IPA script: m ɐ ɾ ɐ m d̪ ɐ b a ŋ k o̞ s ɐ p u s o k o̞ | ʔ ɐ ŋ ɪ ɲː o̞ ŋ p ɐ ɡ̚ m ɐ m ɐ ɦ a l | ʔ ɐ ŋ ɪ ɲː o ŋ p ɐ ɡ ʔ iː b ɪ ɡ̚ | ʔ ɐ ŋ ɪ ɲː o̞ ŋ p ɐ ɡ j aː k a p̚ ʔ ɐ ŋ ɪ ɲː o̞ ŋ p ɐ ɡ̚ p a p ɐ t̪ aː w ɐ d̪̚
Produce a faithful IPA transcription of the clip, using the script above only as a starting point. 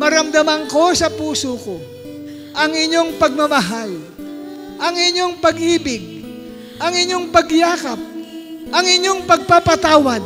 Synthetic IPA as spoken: m ɐ ɾ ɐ m d̪ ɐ m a ŋ k o̞ s ɐ p uː s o k o̞ | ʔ ɐ ŋ ɪ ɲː o̞ ŋ p ɐ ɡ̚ m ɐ m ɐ ɦ a l | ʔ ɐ ŋ ɪ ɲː o ŋ p ɐ ɡ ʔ iː b ɪ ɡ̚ | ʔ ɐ ŋ ɪ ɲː o̞ ŋ p ɐ ɡ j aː k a p̚ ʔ ɐ ŋ ɪ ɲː o̞ ŋ p ɐ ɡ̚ p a p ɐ t̪ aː w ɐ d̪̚

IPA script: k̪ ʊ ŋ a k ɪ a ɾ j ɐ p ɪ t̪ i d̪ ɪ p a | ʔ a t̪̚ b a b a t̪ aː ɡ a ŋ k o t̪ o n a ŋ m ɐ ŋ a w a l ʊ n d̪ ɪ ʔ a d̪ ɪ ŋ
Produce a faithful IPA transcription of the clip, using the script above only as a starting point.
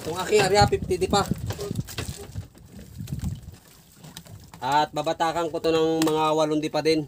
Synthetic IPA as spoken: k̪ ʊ ŋ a k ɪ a ɾ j a p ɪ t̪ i d̪ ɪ p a | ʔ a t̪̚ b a b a t̪ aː k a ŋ k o t̪ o n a ŋ m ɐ ŋ a w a l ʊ n d̪ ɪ p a d̪ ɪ n

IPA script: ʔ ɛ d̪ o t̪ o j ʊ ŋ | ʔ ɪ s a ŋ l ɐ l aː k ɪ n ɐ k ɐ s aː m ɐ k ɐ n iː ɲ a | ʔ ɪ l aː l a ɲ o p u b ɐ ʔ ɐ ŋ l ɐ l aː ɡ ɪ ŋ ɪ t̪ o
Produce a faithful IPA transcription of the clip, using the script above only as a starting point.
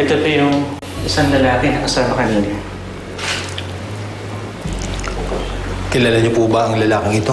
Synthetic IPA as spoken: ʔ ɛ t̪ o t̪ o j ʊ ŋ | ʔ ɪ s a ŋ l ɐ l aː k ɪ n ɐ k ɐ s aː m ɐ k ɐ n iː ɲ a | k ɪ l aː l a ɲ o p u b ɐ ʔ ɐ ŋ l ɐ l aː k ɪ ŋ ɪ t̪ o

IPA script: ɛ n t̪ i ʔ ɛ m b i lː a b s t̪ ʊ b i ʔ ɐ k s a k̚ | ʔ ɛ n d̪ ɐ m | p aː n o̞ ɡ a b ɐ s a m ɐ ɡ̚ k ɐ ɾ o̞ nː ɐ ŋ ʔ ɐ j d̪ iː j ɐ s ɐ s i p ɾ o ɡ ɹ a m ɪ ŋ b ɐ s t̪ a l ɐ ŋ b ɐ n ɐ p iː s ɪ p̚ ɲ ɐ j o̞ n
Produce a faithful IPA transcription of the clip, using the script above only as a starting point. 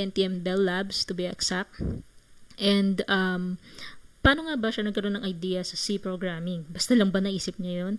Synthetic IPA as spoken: ɛ n t̪ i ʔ ɛ m b ɛ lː a b s t̪ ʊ b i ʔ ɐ k s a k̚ | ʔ ɛ n d̪ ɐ m | p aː n o̞ ŋ a b ɐ ʃ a n ɐ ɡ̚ k ɐ ɾ o̞ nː ɐ ŋ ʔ ɐ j d̪ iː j ɐ s ɐ s i p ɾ o ɡ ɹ a m ɪ ŋ b ɐ s t̪ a l ɐ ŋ b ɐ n ɐ ʔ iː s ɪ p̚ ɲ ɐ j o̞ n

